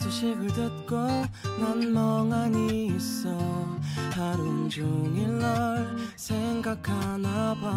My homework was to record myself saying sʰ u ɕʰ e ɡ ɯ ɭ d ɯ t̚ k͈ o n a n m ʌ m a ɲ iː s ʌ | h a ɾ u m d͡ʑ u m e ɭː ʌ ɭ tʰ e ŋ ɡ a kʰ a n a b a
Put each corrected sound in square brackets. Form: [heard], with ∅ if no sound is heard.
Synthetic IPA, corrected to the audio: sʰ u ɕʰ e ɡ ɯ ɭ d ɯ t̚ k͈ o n a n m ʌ [ŋ] a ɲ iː s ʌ | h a ɾ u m d͡ʑ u [ŋ] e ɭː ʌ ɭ [sʰ] e ŋ ɡ a kʰ a n a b a